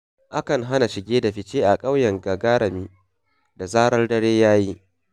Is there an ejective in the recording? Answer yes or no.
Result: yes